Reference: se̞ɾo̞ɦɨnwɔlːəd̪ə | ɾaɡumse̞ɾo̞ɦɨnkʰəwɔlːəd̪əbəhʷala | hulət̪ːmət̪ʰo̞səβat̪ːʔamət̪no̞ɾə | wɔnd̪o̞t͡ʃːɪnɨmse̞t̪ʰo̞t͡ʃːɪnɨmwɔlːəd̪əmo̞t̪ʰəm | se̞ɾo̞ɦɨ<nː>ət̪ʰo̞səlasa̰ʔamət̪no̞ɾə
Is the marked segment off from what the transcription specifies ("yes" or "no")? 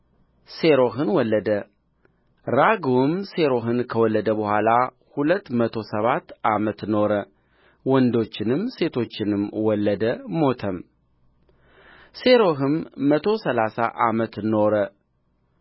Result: yes